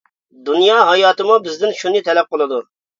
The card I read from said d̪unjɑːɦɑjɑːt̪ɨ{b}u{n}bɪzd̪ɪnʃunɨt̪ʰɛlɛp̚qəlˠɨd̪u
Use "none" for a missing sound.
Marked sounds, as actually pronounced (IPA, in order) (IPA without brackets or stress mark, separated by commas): m, none